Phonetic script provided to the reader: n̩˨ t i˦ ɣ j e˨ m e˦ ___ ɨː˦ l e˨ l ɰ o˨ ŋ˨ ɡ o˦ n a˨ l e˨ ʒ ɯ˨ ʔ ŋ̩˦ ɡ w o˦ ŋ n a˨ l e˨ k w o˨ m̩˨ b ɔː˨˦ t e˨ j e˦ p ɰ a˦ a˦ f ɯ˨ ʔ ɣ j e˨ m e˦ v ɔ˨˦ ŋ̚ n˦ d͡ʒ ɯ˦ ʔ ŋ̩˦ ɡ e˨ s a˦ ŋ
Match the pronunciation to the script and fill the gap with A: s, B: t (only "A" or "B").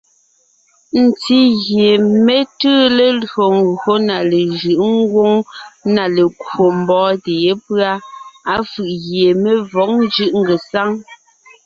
B